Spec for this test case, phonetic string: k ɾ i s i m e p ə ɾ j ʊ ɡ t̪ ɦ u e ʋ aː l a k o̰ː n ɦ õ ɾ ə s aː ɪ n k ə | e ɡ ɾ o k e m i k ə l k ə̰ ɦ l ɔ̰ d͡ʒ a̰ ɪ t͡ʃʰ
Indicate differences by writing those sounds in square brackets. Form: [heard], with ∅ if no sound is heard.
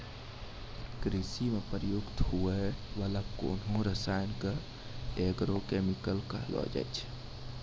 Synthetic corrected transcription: k ɾ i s i m e p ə ɾ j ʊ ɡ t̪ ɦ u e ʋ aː l a k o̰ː n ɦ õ ɾ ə s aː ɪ n k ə | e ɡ ɾ o k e m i k ə l k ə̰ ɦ l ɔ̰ d͡ʒ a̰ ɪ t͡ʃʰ